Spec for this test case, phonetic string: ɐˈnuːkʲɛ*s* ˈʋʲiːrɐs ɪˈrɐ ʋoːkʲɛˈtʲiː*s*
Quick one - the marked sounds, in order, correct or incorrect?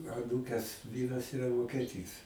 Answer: correct, correct

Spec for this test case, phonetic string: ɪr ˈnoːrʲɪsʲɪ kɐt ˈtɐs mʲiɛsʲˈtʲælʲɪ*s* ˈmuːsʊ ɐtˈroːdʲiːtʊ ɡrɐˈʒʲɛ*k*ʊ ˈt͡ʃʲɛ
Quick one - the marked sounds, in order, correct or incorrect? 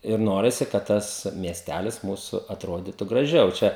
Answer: correct, incorrect

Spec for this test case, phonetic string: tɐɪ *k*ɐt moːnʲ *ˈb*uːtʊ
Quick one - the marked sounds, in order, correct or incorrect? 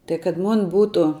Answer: correct, correct

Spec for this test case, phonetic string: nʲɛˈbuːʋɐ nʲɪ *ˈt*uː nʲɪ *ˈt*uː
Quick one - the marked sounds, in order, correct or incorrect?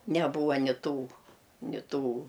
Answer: correct, correct

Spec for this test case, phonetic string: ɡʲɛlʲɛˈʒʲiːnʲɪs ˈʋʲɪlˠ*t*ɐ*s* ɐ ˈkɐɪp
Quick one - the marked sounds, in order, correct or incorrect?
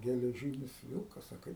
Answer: incorrect, correct

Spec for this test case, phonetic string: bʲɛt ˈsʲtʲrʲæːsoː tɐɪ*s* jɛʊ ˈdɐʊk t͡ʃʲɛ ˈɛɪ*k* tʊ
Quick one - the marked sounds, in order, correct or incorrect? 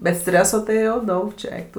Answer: incorrect, correct

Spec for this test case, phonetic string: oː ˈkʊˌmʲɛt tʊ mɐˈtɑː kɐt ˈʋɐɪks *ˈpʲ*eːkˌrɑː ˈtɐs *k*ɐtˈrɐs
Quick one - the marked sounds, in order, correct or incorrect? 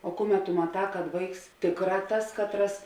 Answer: incorrect, correct

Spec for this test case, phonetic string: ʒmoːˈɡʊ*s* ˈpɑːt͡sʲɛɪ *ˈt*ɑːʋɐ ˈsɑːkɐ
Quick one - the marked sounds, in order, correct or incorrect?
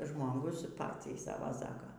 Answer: correct, incorrect

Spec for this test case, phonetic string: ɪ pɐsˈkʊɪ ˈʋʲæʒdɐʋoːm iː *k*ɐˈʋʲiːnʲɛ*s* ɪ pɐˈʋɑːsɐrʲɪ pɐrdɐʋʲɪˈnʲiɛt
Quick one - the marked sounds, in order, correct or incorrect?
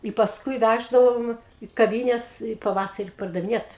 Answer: correct, correct

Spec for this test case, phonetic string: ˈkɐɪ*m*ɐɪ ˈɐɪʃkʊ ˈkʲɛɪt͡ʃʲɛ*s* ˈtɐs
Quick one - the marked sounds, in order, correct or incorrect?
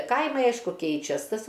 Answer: correct, correct

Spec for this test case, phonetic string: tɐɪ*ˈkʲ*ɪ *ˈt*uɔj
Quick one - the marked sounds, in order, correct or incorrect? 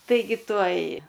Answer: incorrect, correct

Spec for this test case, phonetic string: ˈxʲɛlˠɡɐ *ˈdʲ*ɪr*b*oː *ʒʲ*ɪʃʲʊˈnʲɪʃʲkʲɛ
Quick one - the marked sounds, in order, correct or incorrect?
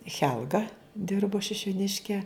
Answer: correct, correct, incorrect

